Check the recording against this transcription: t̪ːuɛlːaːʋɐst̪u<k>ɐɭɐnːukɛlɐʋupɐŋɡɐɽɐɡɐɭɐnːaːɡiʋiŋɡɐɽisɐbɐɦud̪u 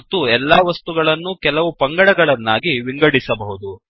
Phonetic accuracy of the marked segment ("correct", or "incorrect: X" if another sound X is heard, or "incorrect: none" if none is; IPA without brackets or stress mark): incorrect: ɡ